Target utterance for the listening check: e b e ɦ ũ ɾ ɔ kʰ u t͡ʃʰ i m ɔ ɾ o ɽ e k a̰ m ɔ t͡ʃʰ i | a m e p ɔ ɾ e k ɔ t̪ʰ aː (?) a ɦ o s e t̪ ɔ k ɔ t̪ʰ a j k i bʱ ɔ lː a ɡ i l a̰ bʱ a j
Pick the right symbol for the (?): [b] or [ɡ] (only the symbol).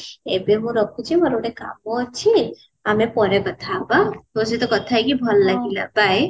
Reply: b